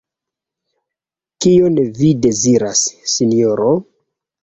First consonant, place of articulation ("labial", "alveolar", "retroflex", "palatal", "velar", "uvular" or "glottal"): velar